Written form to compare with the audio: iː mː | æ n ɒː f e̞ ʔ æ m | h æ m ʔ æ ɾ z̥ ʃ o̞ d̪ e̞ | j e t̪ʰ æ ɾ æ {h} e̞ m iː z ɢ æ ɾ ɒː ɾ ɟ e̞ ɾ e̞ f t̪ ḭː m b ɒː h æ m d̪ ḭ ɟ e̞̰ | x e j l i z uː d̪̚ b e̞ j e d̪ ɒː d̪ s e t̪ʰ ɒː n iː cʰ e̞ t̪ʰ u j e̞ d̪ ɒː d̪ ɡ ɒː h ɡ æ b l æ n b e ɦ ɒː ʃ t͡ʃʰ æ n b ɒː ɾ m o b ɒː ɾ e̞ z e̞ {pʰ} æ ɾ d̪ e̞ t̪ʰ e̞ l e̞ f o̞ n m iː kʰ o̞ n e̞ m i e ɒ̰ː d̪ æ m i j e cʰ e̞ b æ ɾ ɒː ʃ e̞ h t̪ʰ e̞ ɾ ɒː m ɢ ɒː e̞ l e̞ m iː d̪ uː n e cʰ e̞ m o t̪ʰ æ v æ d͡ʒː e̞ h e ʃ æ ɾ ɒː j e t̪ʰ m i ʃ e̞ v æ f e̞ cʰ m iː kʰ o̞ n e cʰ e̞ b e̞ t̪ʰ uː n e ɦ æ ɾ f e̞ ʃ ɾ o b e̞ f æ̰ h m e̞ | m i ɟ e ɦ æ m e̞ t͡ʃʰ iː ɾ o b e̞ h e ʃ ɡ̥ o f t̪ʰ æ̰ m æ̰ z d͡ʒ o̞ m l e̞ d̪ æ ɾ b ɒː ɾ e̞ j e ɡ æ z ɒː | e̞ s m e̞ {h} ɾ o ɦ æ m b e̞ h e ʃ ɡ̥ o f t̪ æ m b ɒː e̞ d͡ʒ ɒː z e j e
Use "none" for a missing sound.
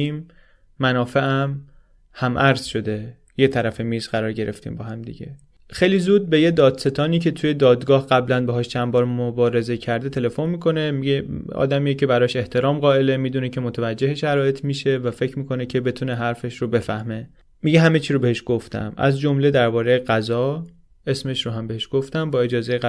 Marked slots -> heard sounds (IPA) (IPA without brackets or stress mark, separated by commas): f, cʰ, ʃ